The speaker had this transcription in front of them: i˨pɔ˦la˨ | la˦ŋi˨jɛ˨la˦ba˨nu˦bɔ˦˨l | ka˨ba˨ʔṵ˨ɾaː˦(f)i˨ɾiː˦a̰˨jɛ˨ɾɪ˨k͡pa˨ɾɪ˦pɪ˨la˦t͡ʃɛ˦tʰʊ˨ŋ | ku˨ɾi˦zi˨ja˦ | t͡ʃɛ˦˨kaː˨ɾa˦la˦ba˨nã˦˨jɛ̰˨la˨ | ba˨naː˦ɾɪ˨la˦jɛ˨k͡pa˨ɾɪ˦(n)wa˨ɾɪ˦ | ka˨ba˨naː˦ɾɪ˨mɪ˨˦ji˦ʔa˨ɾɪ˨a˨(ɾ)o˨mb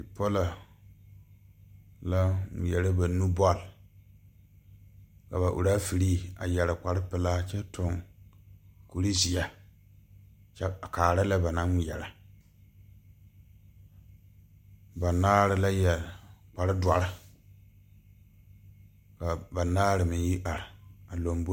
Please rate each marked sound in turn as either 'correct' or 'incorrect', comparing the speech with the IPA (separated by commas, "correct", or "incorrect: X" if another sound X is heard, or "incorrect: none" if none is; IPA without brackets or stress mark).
correct, incorrect: d, incorrect: l